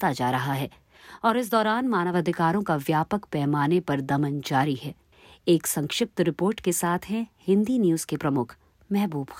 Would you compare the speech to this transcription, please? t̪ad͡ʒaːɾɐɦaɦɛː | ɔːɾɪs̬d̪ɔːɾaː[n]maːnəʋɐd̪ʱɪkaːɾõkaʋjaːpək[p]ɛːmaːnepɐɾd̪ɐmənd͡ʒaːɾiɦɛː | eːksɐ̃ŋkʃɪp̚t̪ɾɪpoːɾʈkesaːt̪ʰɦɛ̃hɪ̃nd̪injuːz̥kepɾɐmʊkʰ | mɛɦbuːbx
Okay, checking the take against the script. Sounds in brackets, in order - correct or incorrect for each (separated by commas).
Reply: correct, correct